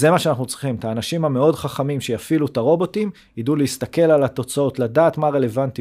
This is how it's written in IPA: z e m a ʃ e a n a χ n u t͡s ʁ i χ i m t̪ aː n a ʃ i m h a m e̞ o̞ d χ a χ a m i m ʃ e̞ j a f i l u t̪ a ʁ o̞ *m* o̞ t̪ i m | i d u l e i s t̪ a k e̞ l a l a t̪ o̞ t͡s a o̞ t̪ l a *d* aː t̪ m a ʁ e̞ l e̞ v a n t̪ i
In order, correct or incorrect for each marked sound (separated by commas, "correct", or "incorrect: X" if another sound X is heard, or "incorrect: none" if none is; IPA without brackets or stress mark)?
incorrect: b, correct